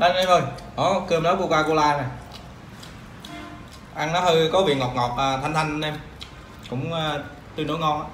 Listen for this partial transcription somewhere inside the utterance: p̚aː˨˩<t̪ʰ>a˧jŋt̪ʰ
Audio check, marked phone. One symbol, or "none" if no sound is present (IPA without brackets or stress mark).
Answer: t̪ʰ